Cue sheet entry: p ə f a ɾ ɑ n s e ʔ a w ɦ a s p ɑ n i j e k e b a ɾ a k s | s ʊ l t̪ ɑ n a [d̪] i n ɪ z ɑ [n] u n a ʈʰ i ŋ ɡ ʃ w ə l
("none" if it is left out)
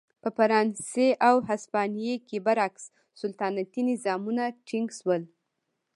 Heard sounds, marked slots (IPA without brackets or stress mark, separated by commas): t̪, m